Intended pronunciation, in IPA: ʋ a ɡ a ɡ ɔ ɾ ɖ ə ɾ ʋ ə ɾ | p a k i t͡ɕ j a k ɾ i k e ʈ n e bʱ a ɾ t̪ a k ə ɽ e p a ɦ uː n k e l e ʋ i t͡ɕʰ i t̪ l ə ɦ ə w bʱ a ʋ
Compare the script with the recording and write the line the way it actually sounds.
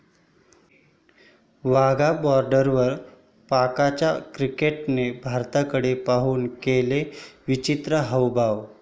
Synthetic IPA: ʋ a ɡ a b ɔ ɾ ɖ ə ɾ ʋ ə ɾ | p a k a t͡ɕ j a k ɾ i k e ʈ n e bʱ a ɾ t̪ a k ə ɽ e p a ɦ uː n k e l e ʋ i t͡ɕ i t̪ ɾ ə ɦ ə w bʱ a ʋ